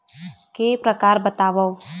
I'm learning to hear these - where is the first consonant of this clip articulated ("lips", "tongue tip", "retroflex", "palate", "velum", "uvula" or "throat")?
velum